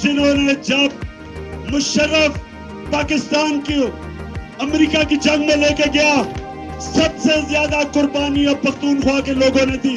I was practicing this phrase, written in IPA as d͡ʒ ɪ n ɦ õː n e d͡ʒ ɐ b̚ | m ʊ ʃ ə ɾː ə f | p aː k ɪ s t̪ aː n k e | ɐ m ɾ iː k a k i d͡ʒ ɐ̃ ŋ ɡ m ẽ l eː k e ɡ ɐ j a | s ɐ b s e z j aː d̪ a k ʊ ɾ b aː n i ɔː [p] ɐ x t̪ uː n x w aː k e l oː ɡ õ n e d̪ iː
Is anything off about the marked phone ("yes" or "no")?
no